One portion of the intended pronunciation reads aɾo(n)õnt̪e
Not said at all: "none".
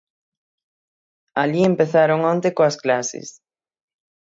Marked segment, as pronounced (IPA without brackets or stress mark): ŋ